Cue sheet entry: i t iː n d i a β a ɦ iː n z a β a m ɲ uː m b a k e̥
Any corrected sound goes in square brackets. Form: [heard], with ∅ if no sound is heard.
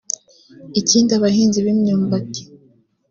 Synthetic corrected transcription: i [c] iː n d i a β a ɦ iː n z [i] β [i] m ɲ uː m b a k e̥